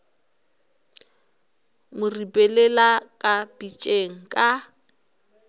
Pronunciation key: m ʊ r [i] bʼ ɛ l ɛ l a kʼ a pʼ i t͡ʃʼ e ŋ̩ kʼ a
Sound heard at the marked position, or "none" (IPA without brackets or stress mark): i